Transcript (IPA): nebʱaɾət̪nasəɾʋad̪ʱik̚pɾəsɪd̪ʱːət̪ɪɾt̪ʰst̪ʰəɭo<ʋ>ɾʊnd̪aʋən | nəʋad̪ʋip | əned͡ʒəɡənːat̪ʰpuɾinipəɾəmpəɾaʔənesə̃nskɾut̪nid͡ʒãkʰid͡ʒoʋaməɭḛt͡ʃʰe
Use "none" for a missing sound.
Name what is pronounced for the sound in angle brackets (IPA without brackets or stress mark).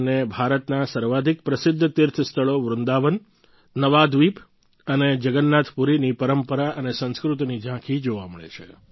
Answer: ʋ